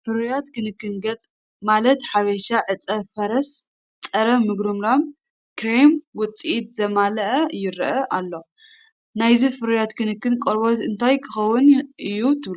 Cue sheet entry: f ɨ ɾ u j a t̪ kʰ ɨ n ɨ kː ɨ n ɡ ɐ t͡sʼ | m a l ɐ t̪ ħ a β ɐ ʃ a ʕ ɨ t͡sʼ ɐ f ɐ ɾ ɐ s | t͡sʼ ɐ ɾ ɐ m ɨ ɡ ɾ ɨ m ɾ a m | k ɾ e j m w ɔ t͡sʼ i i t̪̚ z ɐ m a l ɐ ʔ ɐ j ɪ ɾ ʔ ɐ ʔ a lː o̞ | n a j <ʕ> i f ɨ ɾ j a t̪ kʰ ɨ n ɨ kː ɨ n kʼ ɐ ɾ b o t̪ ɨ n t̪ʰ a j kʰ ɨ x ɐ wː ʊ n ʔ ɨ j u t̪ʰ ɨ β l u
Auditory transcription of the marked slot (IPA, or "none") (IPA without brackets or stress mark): z